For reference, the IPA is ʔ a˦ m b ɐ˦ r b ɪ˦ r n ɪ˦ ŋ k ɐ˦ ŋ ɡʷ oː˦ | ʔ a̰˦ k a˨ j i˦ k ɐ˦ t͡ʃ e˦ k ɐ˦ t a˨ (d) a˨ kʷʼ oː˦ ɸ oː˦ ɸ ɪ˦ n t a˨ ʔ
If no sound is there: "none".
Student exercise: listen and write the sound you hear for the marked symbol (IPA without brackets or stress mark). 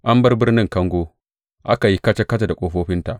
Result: d